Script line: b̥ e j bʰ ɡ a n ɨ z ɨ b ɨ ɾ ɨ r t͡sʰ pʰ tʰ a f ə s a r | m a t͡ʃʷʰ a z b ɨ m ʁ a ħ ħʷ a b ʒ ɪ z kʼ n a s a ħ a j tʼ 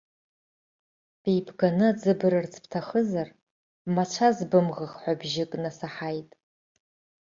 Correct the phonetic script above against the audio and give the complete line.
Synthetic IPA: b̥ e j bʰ ɡ a n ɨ d͡z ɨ b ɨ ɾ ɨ r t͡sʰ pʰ tʰ a χ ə z a r | m a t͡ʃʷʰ a z b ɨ m ʁ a χ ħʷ a b ʒ ɪ kʼ n a s a ħ a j tʼ